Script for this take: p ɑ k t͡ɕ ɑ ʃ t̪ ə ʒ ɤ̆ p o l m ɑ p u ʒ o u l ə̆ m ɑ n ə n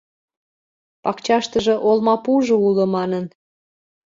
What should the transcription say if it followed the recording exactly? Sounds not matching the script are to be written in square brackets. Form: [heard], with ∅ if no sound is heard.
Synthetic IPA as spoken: p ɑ k t͡ɕ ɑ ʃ t̪ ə ʒ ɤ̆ [ʔ] o l m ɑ p u ʒ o u l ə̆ m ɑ n ə n